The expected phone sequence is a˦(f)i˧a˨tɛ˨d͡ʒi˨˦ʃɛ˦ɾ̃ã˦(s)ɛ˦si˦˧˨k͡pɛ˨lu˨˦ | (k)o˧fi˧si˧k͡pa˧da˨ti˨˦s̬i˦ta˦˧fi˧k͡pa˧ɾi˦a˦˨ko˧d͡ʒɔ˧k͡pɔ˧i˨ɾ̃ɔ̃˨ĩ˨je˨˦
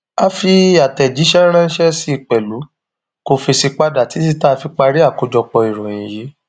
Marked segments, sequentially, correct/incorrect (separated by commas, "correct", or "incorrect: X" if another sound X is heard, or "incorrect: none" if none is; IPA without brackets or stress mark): correct, incorrect: ʃ, correct